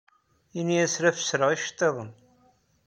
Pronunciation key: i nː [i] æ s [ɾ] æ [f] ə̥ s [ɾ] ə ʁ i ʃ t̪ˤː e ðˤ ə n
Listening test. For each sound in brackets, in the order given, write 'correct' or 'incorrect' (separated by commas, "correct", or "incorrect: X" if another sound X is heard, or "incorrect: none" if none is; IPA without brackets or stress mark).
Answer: correct, correct, correct, correct